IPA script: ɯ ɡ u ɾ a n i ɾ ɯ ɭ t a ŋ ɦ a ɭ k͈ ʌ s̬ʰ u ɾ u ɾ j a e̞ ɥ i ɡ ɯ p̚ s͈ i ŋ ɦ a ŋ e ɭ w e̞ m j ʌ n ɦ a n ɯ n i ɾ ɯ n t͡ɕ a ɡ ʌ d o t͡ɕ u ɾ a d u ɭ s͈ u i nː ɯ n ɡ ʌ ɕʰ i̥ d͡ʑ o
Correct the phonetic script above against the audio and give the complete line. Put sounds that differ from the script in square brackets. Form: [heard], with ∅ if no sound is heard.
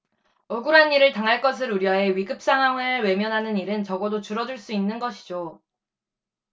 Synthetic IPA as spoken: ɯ ɡ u ɾ a n i ɾ ɯ ɭ t a ŋ ɦ a ɭ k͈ ʌ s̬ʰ [ɯ] ɾ u ɾ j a e̞ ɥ i ɡ ɯ p̚ s͈ [a] ŋ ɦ a ŋ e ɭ w e̞ m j ʌ n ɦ a n ɯ n i ɾ ɯ n t͡ɕ [ʌ] ɡ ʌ d o t͡ɕ u ɾ [ʌ] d u ɭ s͈ u i nː ɯ n ɡ ʌ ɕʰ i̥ d͡ʑ o